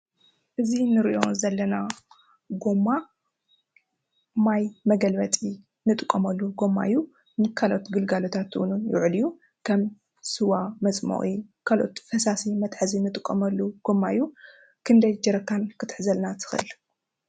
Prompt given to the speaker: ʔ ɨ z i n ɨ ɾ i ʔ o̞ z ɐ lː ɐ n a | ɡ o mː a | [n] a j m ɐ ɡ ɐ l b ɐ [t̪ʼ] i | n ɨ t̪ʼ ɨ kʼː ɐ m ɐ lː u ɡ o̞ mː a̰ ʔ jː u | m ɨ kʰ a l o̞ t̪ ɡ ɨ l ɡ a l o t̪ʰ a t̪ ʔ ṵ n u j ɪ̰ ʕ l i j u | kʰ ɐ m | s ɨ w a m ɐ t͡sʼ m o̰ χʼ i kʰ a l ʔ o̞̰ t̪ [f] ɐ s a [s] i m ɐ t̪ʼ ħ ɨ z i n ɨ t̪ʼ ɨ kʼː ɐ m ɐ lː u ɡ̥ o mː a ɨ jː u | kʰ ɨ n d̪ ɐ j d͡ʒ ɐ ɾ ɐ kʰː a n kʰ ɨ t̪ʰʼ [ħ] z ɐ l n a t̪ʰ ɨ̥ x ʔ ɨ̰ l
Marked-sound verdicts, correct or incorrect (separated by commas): incorrect, correct, correct, correct, correct